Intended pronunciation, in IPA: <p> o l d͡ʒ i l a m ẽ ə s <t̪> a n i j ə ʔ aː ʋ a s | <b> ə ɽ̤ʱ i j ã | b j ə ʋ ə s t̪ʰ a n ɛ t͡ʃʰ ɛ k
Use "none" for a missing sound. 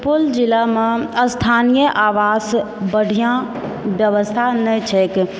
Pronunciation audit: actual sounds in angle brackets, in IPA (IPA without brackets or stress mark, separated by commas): p, t̪ʰ, b